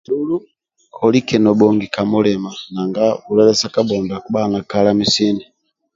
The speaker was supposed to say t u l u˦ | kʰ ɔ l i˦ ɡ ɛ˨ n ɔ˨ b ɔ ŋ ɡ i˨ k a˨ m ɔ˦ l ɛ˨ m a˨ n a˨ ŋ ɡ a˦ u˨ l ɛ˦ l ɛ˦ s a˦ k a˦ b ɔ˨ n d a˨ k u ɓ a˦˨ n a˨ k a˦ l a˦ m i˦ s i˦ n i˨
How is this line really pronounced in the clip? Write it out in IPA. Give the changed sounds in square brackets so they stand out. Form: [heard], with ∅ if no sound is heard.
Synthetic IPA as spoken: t u l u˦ | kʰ ɔ l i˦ [k] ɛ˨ n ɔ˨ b ɔ ŋ ɡ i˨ k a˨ m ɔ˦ l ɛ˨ m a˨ n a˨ ŋ ɡ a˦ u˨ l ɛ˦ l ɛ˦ s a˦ k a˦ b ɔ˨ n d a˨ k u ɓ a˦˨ n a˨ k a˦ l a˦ m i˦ s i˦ n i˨